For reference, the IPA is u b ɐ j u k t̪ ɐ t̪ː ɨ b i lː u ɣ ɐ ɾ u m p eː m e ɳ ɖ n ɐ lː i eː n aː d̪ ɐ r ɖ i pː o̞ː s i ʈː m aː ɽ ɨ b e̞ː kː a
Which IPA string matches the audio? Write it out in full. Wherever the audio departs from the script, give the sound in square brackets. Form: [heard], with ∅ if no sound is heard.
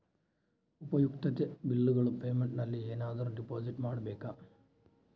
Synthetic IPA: u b ɐ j u k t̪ ɐ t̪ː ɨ b i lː u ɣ ɐ [ɭ] u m p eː m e ɳ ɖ n ɐ lː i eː n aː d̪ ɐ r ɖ i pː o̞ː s i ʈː m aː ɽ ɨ b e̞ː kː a